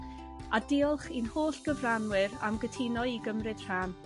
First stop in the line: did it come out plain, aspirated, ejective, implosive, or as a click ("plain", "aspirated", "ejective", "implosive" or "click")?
plain